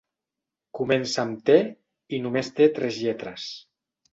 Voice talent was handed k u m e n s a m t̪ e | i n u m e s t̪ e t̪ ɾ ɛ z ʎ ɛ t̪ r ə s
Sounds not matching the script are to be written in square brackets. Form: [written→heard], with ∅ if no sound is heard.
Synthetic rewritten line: k u m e n s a m t̪ e | i n u m e s t̪ e t̪ ɾ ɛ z ʎ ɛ t̪ [r→ɾ] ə s